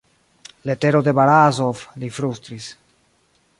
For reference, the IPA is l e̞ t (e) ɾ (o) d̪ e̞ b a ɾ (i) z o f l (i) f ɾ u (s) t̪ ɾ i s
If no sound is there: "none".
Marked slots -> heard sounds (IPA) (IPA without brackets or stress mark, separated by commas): e, o, a, i, s